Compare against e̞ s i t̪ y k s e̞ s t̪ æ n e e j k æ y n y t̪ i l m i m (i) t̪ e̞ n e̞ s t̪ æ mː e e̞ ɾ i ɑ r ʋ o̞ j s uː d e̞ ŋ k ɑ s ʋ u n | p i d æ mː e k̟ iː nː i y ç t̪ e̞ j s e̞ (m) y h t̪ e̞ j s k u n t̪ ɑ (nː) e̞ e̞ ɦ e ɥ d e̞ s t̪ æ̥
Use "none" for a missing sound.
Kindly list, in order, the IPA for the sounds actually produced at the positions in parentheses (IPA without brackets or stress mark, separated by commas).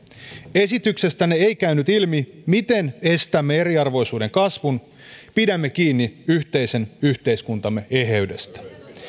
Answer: i, n, mː